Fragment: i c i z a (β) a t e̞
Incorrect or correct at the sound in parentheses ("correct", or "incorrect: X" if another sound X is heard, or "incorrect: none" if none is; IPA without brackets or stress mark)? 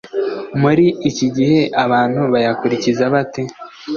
correct